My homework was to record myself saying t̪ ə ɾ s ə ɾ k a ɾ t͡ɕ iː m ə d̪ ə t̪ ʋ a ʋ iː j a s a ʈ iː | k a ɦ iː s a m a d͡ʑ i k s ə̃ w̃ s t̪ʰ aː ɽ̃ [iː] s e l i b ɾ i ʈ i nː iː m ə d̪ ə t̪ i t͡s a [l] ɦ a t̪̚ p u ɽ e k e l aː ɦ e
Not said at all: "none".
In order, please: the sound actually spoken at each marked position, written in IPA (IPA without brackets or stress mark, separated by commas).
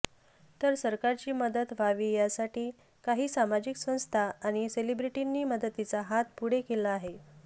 i, none